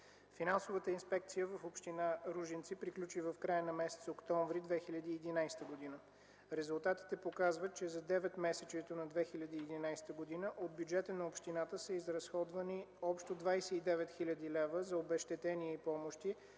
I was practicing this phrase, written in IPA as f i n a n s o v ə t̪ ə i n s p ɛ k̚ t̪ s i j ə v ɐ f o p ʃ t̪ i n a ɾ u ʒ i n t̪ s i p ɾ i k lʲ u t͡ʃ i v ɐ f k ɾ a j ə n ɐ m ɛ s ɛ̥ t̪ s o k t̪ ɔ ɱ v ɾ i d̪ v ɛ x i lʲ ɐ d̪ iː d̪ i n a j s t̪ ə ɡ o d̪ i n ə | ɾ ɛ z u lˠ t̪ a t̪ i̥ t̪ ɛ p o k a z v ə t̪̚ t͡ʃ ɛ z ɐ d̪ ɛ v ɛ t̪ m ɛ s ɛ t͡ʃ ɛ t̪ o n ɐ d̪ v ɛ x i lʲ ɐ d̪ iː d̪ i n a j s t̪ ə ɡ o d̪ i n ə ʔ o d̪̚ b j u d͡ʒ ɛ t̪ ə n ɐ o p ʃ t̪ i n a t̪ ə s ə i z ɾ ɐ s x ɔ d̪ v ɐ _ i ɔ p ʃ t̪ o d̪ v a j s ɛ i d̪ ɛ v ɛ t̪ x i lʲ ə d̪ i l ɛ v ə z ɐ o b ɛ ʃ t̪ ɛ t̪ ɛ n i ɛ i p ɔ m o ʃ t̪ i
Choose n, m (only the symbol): n